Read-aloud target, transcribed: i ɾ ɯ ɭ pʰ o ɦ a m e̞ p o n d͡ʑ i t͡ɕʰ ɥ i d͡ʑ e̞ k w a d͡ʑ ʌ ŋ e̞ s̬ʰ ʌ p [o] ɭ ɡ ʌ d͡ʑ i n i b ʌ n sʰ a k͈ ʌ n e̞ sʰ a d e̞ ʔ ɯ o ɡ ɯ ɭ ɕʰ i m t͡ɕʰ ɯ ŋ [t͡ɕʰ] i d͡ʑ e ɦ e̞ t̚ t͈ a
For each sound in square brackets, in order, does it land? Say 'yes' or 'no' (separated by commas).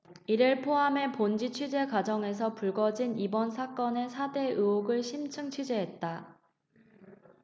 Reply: no, yes